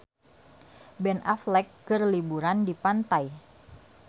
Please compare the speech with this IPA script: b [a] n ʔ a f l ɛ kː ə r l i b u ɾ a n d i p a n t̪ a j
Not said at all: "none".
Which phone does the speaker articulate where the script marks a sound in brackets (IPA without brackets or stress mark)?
ɛ